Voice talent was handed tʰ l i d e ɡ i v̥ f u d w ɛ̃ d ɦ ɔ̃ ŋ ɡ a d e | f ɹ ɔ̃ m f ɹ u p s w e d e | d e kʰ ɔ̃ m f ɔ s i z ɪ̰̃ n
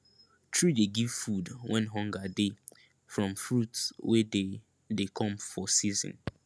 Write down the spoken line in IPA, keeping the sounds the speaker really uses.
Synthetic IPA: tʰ ɹ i d e ɡ i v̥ f u d w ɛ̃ n ɦ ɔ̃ ŋ ɡ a d e | f ɹ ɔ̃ m f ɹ u t s w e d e | d e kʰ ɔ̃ m f ɔ s i z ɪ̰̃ n